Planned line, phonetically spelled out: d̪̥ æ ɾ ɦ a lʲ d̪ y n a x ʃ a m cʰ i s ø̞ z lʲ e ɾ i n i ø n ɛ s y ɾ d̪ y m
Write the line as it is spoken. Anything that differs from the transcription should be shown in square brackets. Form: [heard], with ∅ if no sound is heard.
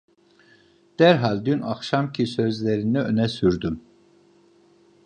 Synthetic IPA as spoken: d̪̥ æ ɾ ɦ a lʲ d̪ y n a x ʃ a m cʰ i s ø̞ z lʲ e ɾ i n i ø n ɛ s y ɾ d̪ y m